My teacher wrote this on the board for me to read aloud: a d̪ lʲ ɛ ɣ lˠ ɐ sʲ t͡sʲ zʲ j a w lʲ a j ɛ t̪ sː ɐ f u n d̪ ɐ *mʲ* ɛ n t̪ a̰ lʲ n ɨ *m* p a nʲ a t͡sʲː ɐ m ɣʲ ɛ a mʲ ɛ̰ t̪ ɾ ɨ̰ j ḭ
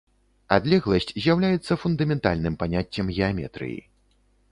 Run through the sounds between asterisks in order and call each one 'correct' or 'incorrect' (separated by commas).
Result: correct, correct